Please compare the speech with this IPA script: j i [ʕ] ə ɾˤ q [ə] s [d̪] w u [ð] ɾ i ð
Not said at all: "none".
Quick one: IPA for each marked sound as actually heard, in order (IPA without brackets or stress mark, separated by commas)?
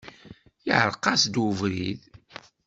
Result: ʕ, ɑ, d̪, v